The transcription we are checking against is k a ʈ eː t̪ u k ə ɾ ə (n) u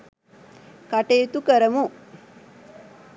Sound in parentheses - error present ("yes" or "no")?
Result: yes